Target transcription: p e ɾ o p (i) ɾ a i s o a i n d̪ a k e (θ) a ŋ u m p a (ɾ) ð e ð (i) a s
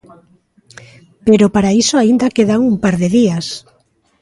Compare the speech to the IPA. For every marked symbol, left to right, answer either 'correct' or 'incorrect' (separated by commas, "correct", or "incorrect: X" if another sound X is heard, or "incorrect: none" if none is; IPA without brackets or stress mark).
incorrect: a, incorrect: ð, correct, correct